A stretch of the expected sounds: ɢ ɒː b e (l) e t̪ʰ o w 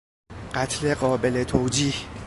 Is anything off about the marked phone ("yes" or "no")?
no